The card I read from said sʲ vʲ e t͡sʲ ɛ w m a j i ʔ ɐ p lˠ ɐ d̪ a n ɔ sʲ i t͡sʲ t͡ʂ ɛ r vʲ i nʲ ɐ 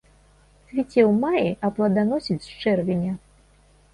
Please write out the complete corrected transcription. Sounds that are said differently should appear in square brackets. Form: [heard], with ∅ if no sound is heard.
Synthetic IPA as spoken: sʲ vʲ [i] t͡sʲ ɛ w m a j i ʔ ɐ p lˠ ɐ d̪ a n ɔ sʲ i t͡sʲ t͡ʂ ɛ r vʲ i nʲ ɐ